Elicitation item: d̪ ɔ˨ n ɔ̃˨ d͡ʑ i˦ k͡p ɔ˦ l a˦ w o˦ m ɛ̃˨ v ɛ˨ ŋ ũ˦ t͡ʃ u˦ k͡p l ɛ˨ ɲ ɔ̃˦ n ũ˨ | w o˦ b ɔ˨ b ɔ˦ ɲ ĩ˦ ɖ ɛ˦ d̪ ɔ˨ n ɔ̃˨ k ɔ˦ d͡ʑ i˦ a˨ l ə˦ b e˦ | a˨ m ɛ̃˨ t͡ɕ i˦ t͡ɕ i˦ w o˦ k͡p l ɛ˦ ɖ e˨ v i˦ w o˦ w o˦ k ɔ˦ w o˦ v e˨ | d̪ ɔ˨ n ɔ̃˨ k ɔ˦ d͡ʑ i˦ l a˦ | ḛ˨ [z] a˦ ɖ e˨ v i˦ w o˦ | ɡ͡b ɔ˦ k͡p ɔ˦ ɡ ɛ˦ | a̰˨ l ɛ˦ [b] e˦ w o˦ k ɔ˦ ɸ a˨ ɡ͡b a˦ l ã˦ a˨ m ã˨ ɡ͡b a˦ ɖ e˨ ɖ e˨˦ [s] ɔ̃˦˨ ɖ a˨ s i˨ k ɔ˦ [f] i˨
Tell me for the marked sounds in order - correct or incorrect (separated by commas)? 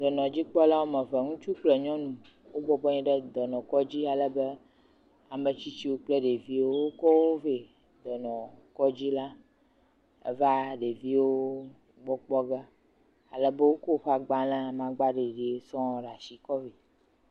incorrect, correct, correct, incorrect